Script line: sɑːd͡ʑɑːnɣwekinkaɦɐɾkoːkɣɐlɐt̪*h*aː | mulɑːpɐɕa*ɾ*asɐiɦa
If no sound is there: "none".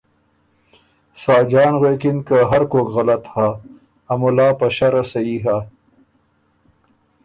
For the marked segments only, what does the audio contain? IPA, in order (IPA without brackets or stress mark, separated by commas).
h, ɾ